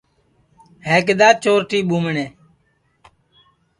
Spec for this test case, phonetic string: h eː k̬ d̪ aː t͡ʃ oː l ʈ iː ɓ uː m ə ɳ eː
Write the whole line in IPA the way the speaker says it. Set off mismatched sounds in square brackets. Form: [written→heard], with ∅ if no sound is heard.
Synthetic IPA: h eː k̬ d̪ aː t͡ʃ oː [l→ɾ] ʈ iː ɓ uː m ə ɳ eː